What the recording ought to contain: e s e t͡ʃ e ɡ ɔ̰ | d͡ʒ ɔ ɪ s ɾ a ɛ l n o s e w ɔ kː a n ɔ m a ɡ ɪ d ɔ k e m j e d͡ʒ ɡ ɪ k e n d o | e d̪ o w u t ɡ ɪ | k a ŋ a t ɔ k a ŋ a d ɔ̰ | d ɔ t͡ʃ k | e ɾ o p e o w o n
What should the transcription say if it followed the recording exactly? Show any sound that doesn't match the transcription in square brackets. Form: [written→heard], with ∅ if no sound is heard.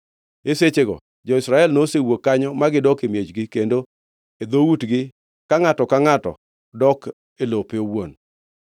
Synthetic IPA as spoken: e s e t͡ʃ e ɡ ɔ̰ | d͡ʒ ɔ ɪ s ɾ a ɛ l n o s e w [ɔ→o] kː a [n→ɲ] ɔ m a ɡ ɪ d ɔ k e m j e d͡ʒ ɡ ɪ k e n d o | e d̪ o w u t ɡ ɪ | k a ŋ a t ɔ k a ŋ a [d→t] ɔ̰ | d ɔ [t͡ʃ→∅] k | e [ɾ→l] o p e o w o n